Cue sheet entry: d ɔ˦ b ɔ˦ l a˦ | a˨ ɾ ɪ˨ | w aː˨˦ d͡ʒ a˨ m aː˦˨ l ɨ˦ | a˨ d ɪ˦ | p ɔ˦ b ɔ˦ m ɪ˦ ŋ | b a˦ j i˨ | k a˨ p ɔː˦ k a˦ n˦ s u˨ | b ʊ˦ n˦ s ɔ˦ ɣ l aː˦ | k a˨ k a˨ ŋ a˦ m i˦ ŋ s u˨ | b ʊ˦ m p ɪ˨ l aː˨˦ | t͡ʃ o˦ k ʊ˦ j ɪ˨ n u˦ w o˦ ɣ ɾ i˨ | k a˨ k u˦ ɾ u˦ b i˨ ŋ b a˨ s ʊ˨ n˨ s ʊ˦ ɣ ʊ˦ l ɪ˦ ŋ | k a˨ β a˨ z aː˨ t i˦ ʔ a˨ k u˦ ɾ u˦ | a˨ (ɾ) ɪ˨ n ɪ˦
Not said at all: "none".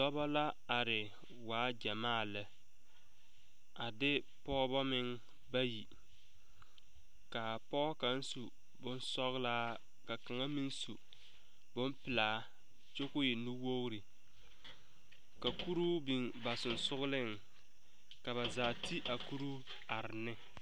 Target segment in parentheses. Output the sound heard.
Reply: ɾ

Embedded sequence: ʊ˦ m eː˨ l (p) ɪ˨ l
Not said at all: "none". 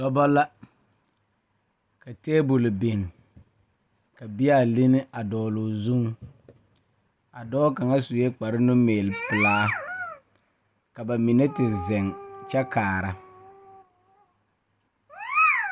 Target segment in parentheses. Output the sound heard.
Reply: p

